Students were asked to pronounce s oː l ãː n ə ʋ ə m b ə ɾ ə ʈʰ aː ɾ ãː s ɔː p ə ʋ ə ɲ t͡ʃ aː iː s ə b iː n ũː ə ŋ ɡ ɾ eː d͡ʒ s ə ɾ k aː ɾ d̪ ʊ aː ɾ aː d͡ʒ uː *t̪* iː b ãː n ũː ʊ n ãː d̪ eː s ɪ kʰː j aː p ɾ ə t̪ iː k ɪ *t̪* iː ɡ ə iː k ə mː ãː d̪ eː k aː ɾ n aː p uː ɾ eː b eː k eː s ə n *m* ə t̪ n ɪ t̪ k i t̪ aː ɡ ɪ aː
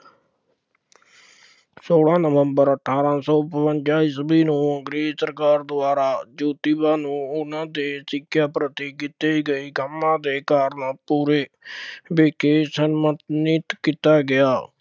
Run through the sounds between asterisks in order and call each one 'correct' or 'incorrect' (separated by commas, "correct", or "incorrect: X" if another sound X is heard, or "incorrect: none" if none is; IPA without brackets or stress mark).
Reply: correct, correct, correct